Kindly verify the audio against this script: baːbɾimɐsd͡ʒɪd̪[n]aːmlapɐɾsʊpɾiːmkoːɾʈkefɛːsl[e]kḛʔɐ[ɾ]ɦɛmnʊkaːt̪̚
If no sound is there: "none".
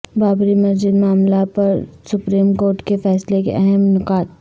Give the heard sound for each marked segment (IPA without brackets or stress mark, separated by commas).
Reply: m, e, none